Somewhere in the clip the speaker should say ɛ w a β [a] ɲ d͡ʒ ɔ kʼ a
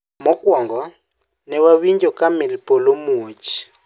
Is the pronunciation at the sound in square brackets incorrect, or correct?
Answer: incorrect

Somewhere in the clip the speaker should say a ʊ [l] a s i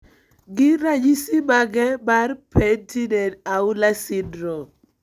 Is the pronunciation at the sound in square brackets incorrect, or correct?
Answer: correct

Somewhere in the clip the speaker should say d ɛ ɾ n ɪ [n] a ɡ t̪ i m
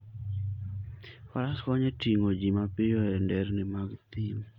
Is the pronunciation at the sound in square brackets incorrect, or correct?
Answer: incorrect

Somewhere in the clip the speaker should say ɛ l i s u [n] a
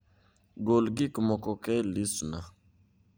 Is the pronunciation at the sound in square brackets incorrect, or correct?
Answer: correct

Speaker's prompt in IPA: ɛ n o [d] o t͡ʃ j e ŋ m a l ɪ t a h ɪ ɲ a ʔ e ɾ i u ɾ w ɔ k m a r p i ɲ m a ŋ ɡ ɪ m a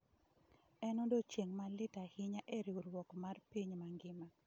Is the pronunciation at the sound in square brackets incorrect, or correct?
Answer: correct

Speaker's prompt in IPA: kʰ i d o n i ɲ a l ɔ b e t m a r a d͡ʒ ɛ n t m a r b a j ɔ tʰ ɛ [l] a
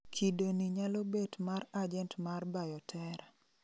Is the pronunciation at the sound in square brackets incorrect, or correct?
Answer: incorrect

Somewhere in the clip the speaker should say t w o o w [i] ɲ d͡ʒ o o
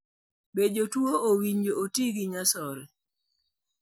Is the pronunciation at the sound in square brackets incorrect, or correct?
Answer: correct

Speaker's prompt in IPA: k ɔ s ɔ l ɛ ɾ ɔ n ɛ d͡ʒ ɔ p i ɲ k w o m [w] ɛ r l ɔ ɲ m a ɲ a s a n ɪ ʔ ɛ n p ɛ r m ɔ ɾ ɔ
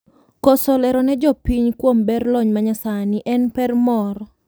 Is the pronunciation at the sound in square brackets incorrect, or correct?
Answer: incorrect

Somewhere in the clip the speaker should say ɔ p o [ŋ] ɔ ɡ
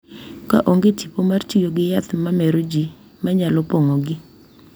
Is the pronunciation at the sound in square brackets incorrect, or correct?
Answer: correct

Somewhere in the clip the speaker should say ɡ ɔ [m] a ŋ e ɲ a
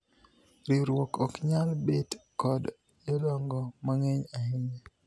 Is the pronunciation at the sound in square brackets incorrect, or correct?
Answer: correct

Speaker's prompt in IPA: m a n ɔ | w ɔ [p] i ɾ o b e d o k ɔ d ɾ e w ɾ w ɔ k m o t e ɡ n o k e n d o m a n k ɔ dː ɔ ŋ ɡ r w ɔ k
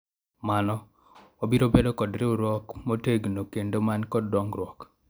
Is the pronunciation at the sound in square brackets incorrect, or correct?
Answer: incorrect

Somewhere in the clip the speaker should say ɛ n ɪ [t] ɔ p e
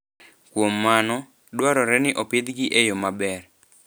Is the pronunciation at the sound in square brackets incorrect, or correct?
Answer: incorrect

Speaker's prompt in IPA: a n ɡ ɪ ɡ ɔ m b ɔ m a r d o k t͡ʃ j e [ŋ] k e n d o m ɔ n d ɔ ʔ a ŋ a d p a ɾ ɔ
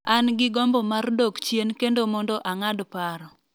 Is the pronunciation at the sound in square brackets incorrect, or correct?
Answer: incorrect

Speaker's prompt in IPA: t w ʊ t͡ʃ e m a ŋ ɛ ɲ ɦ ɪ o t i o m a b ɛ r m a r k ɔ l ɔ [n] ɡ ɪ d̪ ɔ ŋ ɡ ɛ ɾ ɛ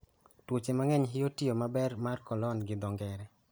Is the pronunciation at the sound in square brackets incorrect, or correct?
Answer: correct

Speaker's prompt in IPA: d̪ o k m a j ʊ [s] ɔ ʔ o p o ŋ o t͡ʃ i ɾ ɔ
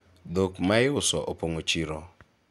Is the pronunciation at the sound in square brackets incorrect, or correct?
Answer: correct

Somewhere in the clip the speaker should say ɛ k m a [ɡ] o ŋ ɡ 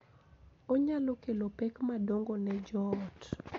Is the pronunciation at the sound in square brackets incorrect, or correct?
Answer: incorrect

